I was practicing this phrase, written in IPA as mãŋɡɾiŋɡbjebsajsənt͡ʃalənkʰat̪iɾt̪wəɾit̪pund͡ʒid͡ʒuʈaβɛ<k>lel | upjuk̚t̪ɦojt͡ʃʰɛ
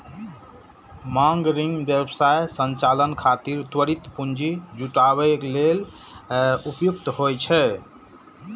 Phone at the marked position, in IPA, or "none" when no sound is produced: k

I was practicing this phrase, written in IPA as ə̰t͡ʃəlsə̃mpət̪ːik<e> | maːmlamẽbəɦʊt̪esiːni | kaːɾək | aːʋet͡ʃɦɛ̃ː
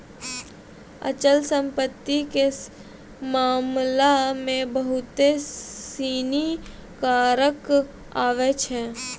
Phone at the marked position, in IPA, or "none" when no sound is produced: e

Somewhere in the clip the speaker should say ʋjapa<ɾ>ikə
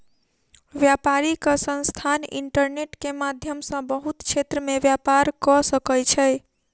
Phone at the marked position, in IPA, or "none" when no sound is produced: ɾ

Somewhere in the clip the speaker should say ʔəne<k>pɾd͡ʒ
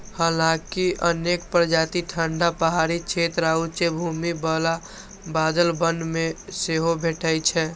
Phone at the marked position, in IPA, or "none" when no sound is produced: k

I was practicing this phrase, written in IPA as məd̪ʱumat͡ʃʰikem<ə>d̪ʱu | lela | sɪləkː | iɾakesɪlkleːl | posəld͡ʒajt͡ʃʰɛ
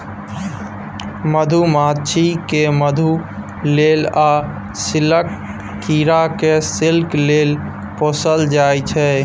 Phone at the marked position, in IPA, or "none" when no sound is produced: ə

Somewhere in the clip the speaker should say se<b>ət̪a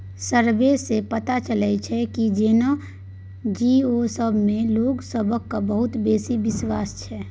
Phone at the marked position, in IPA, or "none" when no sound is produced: p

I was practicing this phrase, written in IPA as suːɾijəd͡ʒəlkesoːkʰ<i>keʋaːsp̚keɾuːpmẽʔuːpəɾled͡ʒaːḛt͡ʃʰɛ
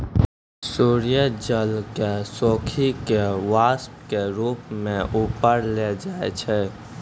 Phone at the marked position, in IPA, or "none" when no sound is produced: i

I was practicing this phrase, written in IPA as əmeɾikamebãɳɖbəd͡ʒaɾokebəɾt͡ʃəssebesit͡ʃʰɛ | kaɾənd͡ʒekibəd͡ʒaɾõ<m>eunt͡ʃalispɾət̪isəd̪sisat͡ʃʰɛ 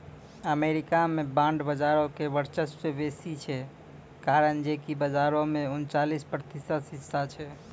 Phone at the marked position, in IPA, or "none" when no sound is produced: m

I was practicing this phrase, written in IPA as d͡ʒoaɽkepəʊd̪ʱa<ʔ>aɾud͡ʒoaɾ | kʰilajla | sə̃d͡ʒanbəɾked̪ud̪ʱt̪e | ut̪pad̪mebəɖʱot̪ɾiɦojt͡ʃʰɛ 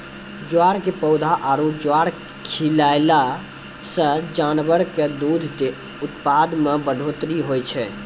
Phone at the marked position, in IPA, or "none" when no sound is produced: ʔ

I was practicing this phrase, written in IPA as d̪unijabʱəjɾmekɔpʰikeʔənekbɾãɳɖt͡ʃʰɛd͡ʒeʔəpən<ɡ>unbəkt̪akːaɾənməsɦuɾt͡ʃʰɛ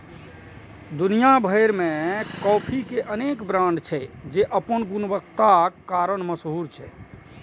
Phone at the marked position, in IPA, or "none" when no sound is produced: ɡ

